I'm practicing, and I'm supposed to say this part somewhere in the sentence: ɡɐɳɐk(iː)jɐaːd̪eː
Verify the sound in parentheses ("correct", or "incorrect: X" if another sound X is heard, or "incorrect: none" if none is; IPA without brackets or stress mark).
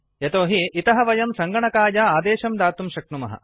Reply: incorrect: aː